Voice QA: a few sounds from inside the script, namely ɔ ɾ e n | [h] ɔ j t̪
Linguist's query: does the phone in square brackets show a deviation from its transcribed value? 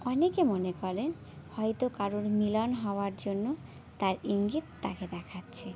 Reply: no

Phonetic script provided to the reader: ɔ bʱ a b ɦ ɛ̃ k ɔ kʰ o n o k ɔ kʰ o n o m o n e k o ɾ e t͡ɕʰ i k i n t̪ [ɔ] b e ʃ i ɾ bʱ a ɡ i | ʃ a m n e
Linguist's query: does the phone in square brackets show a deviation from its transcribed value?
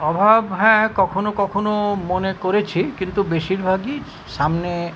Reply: yes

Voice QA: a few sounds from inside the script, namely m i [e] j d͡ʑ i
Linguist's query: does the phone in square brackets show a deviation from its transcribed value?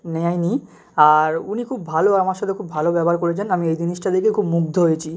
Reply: no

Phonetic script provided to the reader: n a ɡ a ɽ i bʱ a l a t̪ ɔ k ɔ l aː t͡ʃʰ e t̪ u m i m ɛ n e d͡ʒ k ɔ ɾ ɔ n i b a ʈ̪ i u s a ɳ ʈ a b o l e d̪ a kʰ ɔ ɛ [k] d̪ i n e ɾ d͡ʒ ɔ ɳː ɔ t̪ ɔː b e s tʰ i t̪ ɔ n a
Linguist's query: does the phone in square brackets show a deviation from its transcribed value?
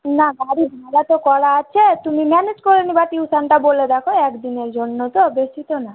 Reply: no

